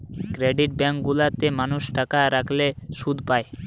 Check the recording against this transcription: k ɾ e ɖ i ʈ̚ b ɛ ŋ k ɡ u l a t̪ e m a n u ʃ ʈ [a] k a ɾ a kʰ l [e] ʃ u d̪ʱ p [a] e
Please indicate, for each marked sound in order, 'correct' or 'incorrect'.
correct, correct, correct

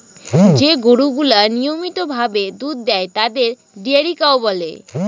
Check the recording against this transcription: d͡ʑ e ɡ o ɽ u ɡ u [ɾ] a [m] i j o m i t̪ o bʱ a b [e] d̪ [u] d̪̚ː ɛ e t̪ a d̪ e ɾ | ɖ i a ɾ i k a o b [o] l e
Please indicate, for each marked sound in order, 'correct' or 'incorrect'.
incorrect: l, incorrect: n, correct, correct, incorrect: ɔ

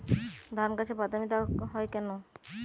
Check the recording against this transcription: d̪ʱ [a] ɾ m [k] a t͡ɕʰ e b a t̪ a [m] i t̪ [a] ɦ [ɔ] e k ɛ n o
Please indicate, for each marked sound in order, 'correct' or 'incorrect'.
correct, correct, correct, correct, correct

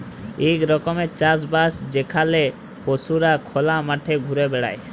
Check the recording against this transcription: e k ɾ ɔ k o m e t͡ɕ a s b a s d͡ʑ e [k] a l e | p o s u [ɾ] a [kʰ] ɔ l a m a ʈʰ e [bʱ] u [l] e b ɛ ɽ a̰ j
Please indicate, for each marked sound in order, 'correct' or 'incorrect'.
incorrect: kʰ, correct, correct, incorrect: ɡʱ, incorrect: ɾ

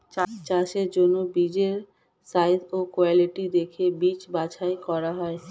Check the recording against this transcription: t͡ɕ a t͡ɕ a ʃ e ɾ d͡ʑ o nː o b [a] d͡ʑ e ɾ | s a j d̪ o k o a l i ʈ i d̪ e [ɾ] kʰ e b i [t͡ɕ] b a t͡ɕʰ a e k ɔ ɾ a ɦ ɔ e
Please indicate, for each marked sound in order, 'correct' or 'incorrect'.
incorrect: i, incorrect: none, correct

